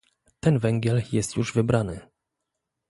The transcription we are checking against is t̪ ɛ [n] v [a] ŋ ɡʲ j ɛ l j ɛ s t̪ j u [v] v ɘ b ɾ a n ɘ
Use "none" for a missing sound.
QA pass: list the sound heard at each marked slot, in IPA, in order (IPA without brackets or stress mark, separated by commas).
n, ɛ, ʐ